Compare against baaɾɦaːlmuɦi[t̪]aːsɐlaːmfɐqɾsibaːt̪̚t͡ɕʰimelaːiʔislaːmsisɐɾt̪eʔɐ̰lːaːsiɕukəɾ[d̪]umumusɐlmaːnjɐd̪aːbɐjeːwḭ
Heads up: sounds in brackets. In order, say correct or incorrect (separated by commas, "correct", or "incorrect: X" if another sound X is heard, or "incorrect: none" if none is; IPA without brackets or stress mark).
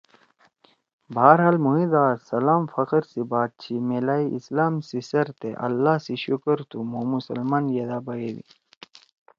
incorrect: d̪, incorrect: t̪